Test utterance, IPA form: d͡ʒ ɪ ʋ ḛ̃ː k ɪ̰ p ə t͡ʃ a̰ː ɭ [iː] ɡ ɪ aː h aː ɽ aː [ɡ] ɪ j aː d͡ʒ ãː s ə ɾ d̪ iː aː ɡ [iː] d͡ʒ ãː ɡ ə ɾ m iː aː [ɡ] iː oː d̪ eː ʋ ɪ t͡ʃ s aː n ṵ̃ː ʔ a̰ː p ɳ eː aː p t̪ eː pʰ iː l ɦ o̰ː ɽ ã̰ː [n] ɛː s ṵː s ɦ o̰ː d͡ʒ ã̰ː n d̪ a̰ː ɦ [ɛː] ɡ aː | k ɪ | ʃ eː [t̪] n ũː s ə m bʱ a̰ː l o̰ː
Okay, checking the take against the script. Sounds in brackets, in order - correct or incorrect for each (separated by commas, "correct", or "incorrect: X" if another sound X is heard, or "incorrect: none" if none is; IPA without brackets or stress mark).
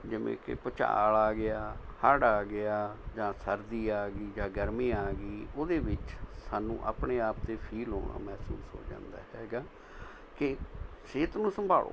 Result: incorrect: aː, correct, correct, correct, incorrect: m, correct, correct